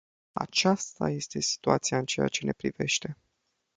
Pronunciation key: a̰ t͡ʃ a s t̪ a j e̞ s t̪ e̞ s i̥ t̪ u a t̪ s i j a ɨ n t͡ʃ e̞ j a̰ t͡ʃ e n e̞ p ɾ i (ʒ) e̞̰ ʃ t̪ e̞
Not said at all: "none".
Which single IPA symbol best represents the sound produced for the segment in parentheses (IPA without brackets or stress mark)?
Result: v